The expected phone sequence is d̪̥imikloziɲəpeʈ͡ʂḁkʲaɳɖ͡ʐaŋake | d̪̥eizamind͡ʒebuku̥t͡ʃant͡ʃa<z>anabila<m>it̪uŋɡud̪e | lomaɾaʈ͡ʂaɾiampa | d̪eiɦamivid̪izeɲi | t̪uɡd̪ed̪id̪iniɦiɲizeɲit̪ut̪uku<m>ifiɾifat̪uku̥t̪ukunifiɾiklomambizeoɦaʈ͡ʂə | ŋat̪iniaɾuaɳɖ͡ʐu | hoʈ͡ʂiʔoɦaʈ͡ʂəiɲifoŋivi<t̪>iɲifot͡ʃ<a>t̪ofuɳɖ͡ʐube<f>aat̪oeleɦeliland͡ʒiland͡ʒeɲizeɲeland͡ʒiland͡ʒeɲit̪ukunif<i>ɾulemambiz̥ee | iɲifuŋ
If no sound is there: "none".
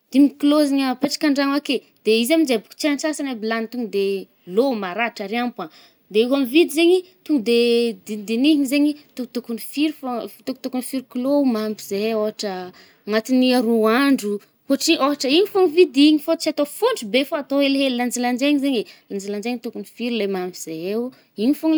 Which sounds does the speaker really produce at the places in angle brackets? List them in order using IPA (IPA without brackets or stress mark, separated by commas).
s, n, n, d̪, a, f, i